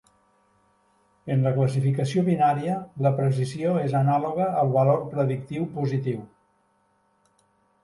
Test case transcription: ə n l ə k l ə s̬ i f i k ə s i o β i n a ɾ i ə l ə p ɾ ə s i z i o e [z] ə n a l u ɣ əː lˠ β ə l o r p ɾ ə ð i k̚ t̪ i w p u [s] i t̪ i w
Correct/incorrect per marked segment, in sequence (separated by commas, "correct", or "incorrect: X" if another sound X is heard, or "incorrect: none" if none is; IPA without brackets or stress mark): correct, incorrect: z